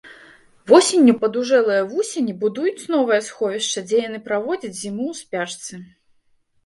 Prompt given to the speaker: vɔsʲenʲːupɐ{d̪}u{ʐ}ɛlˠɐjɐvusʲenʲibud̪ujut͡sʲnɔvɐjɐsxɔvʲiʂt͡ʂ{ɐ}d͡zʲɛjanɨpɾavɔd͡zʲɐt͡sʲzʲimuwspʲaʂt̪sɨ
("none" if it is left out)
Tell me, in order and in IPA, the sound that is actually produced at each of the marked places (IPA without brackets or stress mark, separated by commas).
d̪, ʐ, ɐ